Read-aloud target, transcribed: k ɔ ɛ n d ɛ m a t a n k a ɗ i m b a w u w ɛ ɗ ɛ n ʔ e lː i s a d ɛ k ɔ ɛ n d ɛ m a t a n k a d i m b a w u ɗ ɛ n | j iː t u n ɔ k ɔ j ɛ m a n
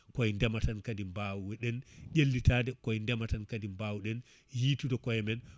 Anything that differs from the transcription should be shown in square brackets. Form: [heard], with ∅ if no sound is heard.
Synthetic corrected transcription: k ɔ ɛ n d ɛ m a t a n k a [d] i m b a w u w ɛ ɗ ɛ n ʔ e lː i [t] a d ɛ k ɔ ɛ n d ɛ m a t a n k a d i m b a w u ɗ ɛ n | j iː t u [d] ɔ k ɔ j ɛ m [ɛ] n